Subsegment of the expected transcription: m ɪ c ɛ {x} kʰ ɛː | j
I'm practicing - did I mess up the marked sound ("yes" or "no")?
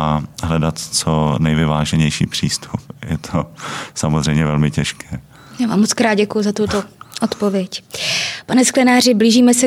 yes